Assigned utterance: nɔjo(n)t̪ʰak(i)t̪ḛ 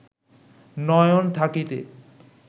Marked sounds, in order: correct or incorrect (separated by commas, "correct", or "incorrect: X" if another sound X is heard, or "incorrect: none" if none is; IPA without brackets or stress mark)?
correct, correct